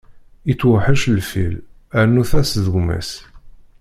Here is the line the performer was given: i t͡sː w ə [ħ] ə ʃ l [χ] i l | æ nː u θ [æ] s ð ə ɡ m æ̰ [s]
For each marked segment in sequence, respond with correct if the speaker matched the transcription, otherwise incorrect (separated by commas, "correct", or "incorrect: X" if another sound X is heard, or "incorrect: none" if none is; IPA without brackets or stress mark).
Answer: correct, incorrect: f, correct, correct